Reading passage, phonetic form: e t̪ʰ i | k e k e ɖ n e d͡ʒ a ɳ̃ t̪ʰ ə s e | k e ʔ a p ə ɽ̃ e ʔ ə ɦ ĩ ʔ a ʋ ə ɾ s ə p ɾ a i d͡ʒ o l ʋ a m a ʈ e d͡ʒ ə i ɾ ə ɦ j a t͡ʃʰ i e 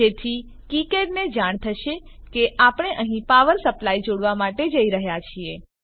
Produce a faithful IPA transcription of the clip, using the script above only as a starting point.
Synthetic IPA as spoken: e t̪ʰ i | k i k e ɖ n e d͡ʒ a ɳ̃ t̪ʰ ə ʃ e | k e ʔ a p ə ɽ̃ e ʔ ə ɦ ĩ p a ʋ ə ɾ s ə p l a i d͡ʒ o ɽ ʋ a m a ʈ e d͡ʒ ə i ɾ ə ɦ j a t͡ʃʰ i e